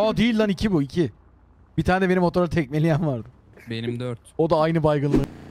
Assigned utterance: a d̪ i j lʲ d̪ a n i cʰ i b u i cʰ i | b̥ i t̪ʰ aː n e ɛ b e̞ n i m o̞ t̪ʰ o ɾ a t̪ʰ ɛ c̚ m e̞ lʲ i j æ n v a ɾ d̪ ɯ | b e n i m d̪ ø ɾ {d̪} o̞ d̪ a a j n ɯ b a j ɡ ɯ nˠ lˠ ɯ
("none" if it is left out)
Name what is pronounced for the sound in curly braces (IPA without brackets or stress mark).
t̪